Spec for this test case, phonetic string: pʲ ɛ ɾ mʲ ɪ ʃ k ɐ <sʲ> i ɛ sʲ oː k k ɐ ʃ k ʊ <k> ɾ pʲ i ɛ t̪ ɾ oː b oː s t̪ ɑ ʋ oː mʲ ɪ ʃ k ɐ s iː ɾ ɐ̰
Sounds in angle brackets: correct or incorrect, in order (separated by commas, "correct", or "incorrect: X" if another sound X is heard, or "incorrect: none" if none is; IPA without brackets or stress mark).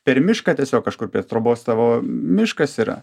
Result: incorrect: tʲ, incorrect: none